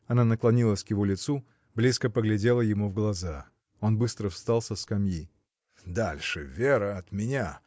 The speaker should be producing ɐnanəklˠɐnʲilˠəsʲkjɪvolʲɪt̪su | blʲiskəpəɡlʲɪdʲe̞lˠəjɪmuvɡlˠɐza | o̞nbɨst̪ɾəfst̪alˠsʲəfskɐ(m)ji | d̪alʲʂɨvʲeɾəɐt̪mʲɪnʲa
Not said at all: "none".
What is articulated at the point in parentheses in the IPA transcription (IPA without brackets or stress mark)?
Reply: m